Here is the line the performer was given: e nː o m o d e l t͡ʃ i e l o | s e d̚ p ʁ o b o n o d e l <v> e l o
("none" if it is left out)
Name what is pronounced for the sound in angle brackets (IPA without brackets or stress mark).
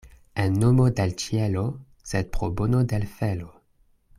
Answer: f